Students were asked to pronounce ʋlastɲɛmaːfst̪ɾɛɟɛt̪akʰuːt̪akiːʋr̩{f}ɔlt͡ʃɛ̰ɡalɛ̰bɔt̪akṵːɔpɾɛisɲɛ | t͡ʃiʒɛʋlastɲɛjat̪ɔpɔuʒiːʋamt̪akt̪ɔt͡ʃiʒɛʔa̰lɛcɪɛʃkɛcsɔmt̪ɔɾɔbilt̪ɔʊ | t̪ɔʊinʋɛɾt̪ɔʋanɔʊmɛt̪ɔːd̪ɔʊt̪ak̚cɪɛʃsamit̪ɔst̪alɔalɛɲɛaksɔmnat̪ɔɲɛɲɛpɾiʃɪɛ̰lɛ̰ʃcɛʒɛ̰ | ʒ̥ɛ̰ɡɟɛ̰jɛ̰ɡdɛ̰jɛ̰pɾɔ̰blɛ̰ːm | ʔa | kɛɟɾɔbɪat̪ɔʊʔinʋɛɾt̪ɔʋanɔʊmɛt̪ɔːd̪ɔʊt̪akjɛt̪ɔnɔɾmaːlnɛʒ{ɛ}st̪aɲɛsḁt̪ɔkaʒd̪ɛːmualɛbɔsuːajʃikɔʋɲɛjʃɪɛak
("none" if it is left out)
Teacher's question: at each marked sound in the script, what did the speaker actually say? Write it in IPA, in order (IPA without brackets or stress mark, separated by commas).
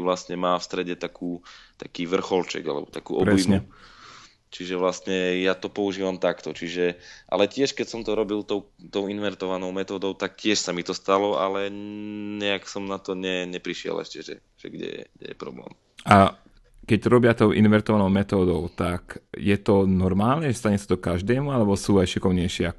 x, ɛ